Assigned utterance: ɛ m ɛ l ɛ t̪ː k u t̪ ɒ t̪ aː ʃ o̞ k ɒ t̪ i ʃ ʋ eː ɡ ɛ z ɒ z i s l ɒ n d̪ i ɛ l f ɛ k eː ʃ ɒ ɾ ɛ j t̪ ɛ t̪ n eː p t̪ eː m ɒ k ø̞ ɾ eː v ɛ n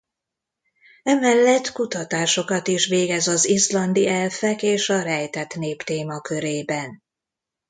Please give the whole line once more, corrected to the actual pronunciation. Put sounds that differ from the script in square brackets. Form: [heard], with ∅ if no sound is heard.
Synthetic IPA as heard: ɛ m ɛ [lː] ɛ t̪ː k u t̪ ɒ t̪ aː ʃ o̞ k ɒ t̪ i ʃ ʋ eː ɡ ɛ z ɒ z i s l ɒ n d̪ i ɛ l f ɛ k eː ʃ ɒ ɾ ɛ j t̪ ɛ t̪ n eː p t̪ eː m ɒ k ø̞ ɾ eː [b] ɛ n